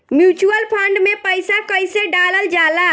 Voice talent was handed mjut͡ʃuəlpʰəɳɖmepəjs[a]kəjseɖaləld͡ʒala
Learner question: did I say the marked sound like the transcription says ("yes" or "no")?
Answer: yes